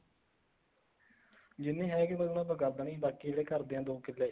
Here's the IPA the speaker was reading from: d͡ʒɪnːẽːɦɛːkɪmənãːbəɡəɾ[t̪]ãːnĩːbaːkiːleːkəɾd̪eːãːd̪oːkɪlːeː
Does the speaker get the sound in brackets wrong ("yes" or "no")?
yes